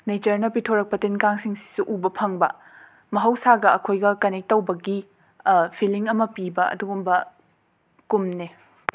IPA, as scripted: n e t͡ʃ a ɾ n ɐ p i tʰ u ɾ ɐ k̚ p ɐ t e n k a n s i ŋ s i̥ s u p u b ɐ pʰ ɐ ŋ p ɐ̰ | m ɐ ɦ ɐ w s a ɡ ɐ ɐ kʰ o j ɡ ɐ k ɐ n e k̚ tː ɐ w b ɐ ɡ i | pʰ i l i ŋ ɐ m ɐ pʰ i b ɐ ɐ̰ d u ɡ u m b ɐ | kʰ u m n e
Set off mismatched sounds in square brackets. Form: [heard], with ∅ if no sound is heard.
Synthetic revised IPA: n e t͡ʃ [ɐ] ɾ n ɐ p i tʰ [o] ɾ ɐ k̚ p ɐ t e n k a [ŋ] s i ŋ s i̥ s u [ʔ] u b ɐ pʰ ɐ ŋ [b] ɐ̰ | m ɐ ɦ ɐ w s a ɡ ɐ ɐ kʰ o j ɡ ɐ k ɐ n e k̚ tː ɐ w b ɐ ɡ i | pʰ i l i ŋ ɐ m ɐ [p] i b ɐ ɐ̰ d u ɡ u m b ɐ | [k] u m n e